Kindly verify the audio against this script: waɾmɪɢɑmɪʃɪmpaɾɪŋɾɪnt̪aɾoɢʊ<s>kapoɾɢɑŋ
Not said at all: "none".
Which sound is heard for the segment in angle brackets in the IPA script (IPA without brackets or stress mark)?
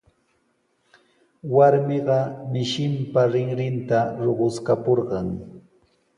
s